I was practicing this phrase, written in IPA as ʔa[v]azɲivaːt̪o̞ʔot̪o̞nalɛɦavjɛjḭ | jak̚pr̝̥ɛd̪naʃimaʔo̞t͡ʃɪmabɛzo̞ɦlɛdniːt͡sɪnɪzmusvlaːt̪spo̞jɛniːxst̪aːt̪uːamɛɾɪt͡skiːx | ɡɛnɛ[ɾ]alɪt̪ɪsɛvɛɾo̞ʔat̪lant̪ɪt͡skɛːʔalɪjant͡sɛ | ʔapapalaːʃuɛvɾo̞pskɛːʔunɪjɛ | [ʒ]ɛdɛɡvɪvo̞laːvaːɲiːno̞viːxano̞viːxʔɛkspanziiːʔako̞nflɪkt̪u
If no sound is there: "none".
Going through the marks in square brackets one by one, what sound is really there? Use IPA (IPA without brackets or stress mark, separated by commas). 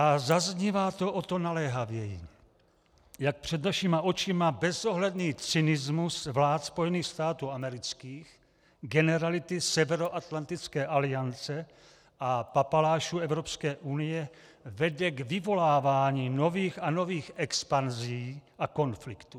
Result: z, ɾ, v